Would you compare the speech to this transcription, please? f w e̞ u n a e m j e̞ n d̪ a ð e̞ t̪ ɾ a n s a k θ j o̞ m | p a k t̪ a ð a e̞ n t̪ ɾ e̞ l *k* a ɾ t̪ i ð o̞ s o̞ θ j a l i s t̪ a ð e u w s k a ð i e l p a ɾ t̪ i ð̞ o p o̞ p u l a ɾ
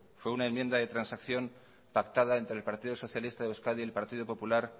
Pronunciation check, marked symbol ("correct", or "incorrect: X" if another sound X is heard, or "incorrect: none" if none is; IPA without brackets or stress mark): incorrect: p